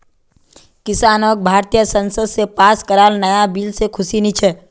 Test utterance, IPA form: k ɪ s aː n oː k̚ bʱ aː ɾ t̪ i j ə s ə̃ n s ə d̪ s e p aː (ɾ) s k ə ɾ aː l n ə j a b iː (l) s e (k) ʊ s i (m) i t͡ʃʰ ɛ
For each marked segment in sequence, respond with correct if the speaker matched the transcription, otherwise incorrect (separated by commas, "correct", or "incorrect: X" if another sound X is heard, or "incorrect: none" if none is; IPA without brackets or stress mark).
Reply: incorrect: none, correct, incorrect: kʰ, incorrect: n